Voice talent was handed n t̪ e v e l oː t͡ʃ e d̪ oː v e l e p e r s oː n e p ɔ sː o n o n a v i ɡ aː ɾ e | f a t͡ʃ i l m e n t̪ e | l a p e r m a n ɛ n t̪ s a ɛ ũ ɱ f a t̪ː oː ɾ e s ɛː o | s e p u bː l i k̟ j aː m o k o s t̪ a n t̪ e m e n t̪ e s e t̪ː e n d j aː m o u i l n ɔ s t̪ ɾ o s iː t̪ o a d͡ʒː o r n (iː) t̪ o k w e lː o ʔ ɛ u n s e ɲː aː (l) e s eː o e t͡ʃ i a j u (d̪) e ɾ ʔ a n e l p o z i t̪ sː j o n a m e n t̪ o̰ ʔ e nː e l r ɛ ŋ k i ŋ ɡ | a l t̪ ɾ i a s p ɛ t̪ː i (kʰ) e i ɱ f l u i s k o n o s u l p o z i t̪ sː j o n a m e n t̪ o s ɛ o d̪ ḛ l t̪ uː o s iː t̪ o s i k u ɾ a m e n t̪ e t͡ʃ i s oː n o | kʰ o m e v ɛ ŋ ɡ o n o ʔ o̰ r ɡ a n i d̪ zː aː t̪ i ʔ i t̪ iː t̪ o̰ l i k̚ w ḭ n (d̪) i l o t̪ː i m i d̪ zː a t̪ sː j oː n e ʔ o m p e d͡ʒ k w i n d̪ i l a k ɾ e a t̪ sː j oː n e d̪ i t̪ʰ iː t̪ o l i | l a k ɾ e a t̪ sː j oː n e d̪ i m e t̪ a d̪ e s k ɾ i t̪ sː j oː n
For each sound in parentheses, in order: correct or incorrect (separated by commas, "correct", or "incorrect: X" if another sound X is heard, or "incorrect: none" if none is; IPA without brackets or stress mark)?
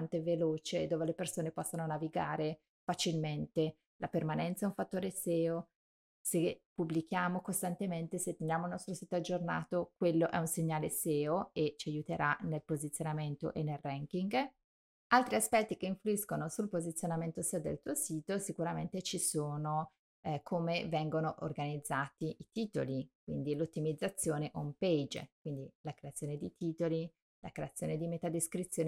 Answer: incorrect: aː, correct, incorrect: t̪, incorrect: k, correct